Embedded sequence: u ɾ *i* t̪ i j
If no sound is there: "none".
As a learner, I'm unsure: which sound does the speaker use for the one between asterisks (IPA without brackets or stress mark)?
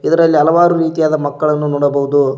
iː